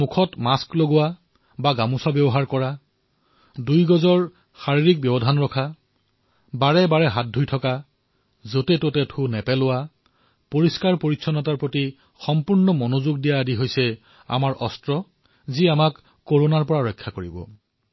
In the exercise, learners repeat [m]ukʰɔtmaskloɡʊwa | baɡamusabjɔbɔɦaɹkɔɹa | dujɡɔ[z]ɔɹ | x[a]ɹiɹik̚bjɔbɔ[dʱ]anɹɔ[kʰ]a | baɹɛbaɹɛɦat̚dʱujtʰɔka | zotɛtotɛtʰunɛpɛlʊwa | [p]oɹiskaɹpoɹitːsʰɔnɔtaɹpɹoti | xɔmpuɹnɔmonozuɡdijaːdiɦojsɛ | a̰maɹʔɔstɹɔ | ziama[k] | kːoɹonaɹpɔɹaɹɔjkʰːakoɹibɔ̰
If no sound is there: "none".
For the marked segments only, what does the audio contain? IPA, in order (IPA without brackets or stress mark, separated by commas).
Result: m, z, a, dʱ, kʰ, p, k